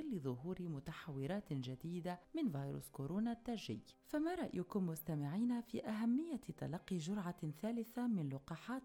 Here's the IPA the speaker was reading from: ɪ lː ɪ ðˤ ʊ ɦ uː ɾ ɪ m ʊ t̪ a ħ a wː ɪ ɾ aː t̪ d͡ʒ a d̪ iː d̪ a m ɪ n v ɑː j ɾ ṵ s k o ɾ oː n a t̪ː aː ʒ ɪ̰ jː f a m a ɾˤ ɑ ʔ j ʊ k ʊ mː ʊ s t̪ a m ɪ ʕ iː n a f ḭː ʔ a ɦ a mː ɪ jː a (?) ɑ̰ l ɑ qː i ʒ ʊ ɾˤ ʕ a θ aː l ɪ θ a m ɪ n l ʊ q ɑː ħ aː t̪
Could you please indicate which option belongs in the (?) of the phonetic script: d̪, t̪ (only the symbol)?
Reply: t̪